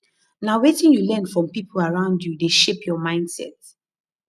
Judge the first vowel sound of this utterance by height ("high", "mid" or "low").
low